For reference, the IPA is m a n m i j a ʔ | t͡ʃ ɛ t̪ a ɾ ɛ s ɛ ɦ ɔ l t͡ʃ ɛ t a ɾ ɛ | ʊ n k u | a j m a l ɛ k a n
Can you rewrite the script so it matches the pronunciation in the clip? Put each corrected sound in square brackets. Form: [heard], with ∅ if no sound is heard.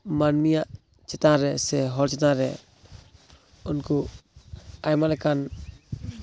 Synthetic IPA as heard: m a n m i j a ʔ | t͡ʃ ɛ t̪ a ɾ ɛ s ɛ ɦ ɔ l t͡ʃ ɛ t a ɾ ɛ | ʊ n k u | a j m a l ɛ k a n